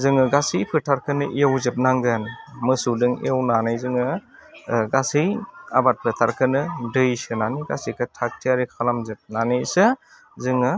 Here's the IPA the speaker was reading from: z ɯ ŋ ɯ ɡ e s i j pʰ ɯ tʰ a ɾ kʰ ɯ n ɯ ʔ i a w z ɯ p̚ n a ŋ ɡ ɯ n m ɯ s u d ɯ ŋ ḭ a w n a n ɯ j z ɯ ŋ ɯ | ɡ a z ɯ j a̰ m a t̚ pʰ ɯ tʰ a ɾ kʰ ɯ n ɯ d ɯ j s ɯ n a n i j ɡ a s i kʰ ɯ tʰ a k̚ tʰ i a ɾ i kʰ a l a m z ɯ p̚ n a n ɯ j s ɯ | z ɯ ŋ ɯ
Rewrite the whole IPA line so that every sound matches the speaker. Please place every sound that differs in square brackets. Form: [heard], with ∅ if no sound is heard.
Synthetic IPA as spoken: z ɯ ŋ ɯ ɡ [a] s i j pʰ ɯ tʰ a ɾ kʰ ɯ n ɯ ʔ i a w z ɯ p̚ n a ŋ ɡ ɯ n m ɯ s u d ɯ ŋ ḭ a w n a n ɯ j z ɯ ŋ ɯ | ɡ a [s] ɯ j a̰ [b] a t̚ pʰ ɯ tʰ a ɾ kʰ ɯ n ɯ d ɯ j s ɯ n a n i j ɡ a s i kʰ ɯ tʰ a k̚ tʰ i a ɾ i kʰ a l a m z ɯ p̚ n a n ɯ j s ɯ | z ɯ ŋ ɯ